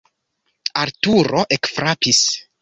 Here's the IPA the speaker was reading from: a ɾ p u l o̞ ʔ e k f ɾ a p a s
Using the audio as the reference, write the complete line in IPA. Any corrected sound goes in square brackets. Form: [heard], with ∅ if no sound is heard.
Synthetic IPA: a ɾ [t] u [ɾ] o̞ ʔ e k f ɾ a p [i] s